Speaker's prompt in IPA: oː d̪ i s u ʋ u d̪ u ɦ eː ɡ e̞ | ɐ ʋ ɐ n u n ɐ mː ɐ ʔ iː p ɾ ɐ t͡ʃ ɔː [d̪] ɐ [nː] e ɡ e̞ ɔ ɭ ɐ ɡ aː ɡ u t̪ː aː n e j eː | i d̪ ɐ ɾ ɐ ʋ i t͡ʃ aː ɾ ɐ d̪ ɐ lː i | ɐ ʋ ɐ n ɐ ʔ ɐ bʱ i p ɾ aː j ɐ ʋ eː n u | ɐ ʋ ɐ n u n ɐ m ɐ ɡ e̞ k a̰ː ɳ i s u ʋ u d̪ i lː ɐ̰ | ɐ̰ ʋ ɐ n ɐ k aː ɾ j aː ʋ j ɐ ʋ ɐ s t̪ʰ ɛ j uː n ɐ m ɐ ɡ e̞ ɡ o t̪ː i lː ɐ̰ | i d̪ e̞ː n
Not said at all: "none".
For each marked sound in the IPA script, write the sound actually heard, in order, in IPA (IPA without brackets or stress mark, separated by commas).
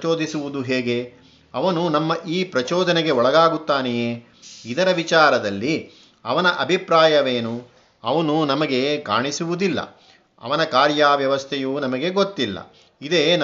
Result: d̪, n